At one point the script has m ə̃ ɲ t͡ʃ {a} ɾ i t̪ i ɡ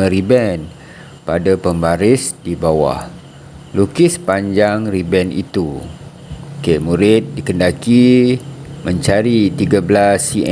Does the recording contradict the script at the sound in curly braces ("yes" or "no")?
no